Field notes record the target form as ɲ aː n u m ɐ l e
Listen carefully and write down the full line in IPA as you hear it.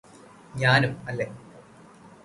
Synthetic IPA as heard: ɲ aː n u m ɐ lː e